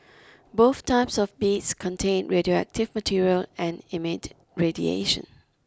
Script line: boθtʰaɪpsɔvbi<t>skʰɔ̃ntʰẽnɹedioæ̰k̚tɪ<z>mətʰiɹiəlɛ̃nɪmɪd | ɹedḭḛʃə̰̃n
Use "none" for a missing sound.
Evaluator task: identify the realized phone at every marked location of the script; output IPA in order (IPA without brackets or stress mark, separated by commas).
t, v